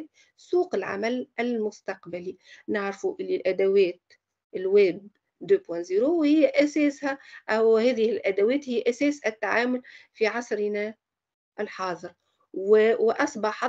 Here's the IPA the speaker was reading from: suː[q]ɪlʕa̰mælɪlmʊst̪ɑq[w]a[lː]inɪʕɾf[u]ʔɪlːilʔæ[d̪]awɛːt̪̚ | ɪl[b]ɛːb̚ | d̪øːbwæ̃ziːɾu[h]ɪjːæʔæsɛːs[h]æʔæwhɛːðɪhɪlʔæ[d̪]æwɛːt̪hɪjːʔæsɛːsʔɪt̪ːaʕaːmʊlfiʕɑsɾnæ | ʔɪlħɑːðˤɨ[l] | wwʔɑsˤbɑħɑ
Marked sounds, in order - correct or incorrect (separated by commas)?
correct, incorrect, incorrect, correct, correct, incorrect, correct, correct, correct, incorrect